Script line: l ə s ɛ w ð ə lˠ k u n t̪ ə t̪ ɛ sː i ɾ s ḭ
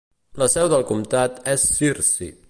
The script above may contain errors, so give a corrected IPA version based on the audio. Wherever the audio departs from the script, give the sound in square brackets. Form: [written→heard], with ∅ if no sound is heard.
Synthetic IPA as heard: l ə s ɛ w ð ə lˠ k u [n→m] t̪ [ə→a] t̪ ɛ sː i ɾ s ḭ